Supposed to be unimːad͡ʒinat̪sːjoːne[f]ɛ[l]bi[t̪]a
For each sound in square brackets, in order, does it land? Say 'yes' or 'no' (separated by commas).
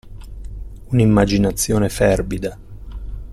yes, no, no